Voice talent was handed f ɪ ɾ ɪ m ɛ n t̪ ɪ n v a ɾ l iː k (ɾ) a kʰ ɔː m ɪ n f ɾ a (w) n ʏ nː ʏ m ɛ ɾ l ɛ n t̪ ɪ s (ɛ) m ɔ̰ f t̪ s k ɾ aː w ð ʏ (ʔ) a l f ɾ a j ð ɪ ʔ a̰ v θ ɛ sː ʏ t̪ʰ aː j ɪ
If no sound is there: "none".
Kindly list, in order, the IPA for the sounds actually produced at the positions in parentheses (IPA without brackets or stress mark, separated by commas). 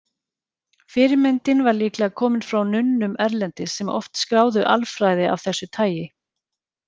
l, w, ɛ, ʔ